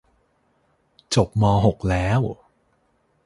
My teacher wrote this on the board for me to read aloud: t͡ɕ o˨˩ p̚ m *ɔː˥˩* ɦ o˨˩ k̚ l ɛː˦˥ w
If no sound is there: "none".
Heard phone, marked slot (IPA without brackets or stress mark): ɔː˧